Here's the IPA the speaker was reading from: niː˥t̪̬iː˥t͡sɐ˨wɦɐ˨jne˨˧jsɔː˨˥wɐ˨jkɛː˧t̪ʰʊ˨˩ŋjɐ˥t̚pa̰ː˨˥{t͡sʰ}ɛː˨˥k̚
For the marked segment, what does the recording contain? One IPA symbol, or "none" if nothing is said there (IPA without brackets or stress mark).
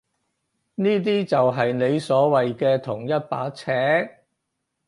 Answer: t͡sʰ